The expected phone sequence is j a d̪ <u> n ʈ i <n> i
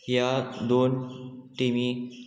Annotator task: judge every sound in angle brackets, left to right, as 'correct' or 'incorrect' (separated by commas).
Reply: incorrect, incorrect